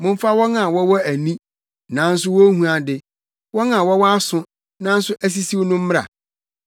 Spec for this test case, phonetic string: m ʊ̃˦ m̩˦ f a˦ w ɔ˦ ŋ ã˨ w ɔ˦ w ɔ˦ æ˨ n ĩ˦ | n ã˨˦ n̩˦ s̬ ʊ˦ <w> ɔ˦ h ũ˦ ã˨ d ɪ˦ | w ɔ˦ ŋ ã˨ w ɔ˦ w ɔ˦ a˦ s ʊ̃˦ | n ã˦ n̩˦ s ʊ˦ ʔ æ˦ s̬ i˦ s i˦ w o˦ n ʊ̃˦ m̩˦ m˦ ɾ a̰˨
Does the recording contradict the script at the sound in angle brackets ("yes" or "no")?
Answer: no